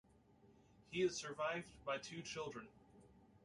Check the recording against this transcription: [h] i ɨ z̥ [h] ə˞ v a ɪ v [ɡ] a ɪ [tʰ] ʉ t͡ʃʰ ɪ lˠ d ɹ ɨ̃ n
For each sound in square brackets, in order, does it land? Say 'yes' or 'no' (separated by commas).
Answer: yes, no, no, yes